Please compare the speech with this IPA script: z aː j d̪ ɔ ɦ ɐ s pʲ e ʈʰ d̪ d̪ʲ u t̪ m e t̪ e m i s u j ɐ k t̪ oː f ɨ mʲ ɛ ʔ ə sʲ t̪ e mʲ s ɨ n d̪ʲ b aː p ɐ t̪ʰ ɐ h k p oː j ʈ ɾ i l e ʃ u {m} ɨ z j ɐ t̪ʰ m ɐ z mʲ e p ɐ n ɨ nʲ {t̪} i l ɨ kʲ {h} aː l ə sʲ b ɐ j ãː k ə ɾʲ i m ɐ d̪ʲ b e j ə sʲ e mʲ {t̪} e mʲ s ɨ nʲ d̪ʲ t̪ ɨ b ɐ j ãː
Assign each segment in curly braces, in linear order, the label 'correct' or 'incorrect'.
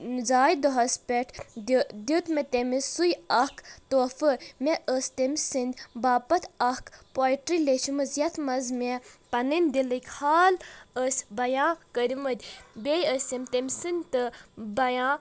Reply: correct, incorrect: d̪, correct, correct

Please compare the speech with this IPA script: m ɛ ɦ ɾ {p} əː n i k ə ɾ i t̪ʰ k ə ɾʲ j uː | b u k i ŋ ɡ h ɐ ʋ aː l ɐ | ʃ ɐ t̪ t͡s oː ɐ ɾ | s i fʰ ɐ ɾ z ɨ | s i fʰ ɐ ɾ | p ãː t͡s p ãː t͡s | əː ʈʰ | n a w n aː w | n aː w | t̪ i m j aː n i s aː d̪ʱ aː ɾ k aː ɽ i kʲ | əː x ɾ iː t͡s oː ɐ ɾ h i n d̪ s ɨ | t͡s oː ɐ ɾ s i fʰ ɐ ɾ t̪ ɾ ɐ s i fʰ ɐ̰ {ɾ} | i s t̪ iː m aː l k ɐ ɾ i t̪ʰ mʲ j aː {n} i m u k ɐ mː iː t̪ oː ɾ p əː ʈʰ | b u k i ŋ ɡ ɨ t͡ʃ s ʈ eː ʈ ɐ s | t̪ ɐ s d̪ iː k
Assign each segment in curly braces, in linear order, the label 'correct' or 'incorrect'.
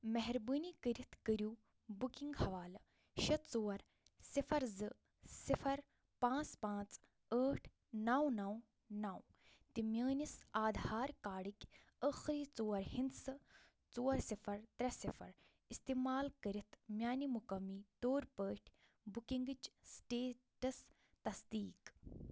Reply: incorrect: b, correct, correct

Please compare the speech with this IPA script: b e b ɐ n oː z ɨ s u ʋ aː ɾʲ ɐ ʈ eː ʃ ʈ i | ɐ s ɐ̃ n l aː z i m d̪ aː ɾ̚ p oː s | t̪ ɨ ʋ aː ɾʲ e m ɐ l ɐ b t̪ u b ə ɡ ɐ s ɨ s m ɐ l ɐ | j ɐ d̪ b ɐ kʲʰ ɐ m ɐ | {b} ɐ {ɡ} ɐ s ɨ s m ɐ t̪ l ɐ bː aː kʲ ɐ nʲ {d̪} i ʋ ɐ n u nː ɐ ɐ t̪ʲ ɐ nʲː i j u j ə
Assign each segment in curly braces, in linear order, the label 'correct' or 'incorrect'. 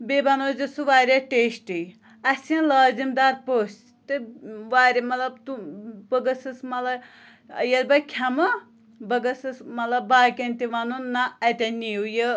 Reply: correct, correct, incorrect: t̪

